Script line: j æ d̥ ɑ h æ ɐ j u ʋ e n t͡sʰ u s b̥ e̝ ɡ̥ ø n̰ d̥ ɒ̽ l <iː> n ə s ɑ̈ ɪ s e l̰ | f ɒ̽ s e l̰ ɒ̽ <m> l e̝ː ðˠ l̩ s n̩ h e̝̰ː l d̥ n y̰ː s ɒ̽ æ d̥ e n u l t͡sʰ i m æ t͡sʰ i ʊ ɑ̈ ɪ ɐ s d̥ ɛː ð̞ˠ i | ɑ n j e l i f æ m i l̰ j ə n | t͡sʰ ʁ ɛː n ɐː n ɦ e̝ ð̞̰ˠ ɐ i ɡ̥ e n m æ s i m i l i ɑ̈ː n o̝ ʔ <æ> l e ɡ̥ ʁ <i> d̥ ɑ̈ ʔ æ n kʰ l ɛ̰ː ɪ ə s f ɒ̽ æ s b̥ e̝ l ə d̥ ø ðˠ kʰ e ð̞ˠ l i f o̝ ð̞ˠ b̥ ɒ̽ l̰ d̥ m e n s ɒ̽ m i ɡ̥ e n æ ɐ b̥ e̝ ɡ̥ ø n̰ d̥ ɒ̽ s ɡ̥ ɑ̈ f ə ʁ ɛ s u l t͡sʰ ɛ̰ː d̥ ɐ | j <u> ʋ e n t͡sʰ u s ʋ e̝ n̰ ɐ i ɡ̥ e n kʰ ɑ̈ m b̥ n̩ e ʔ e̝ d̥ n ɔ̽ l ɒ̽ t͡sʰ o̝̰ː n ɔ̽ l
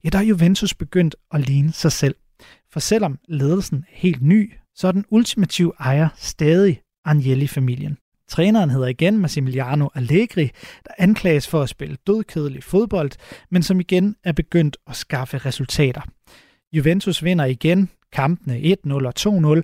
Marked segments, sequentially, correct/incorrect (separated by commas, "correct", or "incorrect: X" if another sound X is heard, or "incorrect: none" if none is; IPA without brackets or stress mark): correct, correct, correct, correct, correct